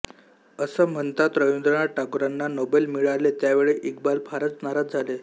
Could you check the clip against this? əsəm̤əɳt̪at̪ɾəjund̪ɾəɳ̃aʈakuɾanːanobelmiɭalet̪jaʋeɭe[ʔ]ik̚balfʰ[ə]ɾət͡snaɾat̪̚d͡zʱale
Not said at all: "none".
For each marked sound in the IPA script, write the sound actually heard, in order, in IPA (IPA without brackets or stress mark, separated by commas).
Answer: ʔ, a